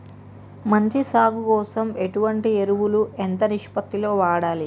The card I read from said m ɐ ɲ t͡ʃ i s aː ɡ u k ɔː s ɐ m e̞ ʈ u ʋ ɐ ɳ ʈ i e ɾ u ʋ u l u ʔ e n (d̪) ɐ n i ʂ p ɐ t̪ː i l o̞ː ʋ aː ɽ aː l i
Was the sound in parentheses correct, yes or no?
no